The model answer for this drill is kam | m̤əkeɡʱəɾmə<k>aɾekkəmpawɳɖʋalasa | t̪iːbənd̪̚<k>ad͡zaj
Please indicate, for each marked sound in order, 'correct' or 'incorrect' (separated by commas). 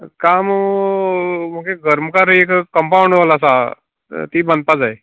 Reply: correct, incorrect